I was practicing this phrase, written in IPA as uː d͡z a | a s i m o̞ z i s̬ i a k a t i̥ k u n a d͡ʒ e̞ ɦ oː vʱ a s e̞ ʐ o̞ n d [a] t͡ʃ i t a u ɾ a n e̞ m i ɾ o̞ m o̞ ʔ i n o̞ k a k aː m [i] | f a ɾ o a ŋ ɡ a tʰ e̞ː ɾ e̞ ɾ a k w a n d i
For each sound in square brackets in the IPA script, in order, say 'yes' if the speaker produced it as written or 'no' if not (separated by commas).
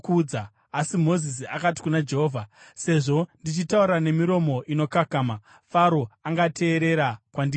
no, no